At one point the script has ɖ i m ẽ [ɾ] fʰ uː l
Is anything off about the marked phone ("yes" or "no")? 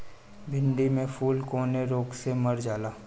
yes